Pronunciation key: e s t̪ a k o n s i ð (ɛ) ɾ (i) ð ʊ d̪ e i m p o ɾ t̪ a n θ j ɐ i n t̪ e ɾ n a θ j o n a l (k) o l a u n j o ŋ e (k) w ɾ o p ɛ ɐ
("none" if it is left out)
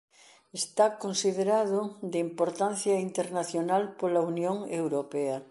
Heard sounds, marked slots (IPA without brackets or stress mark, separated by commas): e, a, p, none